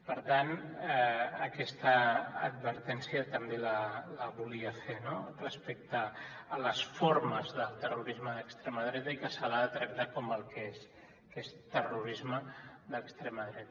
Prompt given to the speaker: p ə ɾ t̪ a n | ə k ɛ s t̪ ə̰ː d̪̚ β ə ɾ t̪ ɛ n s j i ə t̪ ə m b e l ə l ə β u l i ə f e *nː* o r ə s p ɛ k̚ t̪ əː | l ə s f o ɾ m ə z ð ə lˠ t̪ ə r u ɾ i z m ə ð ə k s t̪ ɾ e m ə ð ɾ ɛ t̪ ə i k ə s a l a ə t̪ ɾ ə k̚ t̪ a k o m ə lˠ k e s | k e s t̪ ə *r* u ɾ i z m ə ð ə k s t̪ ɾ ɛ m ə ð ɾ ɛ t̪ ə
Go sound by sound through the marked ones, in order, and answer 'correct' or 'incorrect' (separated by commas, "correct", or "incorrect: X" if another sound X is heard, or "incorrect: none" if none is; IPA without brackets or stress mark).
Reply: incorrect: n, correct